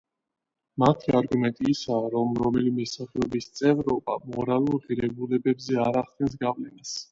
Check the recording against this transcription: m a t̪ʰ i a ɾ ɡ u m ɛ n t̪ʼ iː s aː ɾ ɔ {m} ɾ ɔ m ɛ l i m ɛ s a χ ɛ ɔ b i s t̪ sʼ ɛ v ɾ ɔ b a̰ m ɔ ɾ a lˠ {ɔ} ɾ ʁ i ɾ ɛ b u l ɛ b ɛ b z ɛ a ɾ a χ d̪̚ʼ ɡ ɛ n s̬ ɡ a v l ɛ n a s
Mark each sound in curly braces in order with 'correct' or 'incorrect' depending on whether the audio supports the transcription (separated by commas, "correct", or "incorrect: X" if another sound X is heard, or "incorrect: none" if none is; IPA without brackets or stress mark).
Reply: correct, incorrect: u